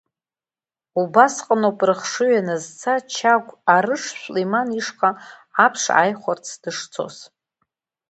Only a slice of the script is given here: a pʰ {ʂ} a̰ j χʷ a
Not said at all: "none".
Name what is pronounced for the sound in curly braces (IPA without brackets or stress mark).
ʂ